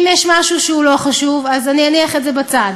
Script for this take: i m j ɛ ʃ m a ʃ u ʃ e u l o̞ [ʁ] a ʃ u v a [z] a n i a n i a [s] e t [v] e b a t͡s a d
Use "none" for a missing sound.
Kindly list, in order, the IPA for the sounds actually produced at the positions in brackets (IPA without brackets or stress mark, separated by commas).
χ, z, χ, z